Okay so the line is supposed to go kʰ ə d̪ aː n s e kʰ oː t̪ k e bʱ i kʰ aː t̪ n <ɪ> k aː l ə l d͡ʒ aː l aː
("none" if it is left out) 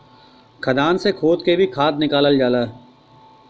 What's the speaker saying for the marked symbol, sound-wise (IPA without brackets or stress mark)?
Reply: ɪ